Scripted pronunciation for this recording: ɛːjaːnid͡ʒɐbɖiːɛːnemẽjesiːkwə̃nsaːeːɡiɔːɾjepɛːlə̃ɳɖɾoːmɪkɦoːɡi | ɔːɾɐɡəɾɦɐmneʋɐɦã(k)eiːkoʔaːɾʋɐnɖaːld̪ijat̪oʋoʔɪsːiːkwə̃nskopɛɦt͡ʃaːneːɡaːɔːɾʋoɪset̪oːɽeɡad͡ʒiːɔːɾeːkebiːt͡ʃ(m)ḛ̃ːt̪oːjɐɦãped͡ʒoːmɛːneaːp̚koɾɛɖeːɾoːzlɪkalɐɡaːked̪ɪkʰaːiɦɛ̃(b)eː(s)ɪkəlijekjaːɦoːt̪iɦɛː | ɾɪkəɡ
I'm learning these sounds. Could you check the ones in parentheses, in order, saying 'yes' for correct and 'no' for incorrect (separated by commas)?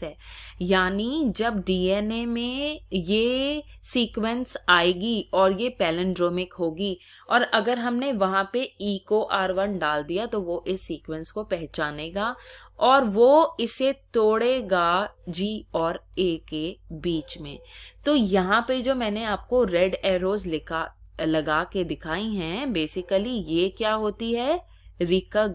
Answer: no, yes, yes, yes